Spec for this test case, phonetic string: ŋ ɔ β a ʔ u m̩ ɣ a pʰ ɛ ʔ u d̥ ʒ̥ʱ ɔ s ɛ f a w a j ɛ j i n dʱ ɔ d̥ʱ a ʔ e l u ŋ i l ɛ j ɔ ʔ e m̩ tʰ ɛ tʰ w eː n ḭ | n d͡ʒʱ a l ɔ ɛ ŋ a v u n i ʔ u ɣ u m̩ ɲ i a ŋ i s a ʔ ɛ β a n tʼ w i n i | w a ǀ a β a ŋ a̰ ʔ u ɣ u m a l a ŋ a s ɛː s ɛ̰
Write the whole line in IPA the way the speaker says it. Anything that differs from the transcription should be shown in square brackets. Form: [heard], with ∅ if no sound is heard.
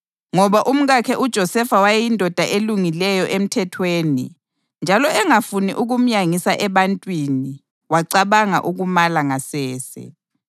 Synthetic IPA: ŋ ɔ β a ʔ u m̩ ɣ a [kʰ] ɛ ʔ u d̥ ʒ̥ʱ ɔ s ɛ f a w a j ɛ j i n dʱ ɔ d̥ʱ a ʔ e l u ŋ i l ɛ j ɔ ʔ e m̩ tʰ ɛ tʰ w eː n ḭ | n d͡ʒʱ a l ɔ ɛ ŋ a [f] u n i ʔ u ɣ u m̩ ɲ [j] a ŋ i s a ʔ ɛ β a n tʼ w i n i | w a ǀ a β a ŋ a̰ ʔ u ɣ u m a l a ŋ a s ɛː s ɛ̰